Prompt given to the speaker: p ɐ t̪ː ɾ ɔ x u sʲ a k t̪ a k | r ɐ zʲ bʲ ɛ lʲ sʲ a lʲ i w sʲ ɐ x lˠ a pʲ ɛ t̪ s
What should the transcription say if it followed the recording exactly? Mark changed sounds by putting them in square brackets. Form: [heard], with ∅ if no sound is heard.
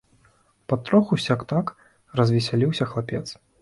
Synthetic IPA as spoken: p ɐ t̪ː ɾ ɔ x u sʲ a k t̪ a k | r ɐ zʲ [vʲ] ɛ [∅] sʲ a lʲ i w sʲ ɐ x lˠ a pʲ ɛ t̪ s